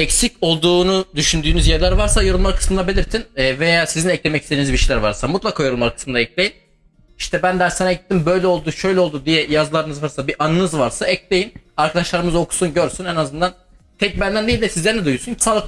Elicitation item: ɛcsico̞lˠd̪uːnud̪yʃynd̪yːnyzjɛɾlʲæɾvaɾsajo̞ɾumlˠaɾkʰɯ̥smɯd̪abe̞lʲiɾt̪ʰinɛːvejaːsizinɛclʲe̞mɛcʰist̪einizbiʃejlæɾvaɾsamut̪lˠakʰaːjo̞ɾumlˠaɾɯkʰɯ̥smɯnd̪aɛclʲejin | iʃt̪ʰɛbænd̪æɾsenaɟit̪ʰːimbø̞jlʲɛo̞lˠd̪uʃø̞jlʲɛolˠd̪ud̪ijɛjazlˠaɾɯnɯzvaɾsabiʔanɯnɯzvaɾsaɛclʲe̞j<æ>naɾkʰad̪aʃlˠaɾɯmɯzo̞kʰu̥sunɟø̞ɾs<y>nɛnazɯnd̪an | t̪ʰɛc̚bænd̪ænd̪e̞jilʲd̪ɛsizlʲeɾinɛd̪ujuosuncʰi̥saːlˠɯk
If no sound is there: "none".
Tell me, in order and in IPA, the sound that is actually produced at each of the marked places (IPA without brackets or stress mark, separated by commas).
i, y